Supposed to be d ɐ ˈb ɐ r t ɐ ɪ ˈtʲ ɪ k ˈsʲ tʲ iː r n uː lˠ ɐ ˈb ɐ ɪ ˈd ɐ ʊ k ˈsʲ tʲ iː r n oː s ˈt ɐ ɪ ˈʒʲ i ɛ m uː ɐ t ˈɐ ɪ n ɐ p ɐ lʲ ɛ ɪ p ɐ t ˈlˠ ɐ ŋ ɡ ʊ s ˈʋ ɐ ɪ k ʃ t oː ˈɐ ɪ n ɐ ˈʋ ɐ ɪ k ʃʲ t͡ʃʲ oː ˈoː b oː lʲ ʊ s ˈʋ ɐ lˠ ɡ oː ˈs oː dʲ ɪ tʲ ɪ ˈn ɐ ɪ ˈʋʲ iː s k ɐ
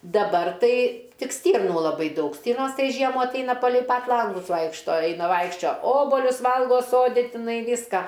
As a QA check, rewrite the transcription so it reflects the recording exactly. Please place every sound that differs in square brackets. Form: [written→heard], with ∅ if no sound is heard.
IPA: d ɐ ˈb ɐ r t ɐ ɪ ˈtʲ ɪ k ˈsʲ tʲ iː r n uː lˠ ɐ ˈb ɐ ɪ ˈd ɐ ʊ k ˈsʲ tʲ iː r n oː s ˈt ɐ ɪ ˈʒʲ i ɛ m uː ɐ t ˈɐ ɪ n ɐ p ɐ lʲ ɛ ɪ p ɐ t ˈlˠ ɐ ŋ ɡ ʊ s ˈʋ ɐ ɪ k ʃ t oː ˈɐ ɪ n ɐ ˈʋ ɐ ɪ k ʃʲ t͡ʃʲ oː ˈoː b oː lʲ ʊ s ˈʋ ɐ lˠ ɡ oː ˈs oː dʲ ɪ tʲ ɪ ˈn ɐ ɪ ˈʋʲ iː s k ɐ